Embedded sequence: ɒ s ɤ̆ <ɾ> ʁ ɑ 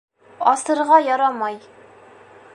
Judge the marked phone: correct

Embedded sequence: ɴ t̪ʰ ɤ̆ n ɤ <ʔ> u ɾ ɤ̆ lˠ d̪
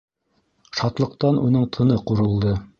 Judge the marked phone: incorrect: q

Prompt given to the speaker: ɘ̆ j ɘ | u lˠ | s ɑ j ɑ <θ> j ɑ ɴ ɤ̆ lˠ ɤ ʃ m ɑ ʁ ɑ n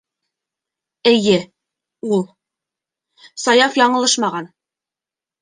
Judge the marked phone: incorrect: f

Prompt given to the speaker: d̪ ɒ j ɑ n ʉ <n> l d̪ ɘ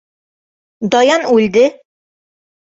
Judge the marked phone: incorrect: none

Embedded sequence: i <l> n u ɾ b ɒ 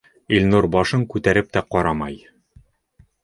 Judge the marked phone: correct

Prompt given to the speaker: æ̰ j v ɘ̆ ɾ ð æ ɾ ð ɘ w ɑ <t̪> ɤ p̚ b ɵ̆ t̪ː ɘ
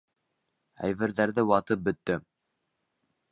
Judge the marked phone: correct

